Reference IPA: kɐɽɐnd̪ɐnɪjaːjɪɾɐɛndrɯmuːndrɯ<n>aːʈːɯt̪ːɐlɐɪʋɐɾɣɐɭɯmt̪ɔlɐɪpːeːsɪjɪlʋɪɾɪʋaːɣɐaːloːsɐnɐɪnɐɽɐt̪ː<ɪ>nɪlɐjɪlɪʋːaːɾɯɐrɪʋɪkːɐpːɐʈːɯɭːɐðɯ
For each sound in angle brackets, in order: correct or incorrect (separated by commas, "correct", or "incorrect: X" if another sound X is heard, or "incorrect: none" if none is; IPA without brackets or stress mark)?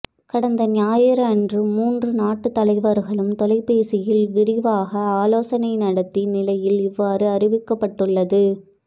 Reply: correct, incorrect: i